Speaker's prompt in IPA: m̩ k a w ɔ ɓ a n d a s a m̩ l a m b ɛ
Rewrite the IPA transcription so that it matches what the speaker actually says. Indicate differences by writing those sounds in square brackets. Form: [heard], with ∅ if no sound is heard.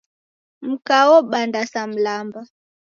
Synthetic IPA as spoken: m̩ k a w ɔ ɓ a n d a s a m̩ l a m b [a]